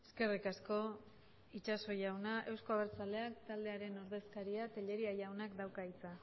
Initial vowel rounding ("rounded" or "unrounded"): unrounded